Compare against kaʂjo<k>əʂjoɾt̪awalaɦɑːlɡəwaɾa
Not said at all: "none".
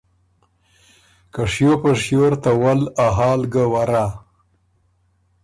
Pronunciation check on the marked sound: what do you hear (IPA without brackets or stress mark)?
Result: p